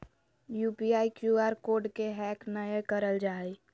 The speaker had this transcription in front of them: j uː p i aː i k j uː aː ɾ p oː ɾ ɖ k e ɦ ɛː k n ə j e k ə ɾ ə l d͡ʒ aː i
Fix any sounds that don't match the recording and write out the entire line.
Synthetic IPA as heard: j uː p i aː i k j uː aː ɾ k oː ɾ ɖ k e ɦ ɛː k n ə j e k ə ɾ ə l d͡ʒ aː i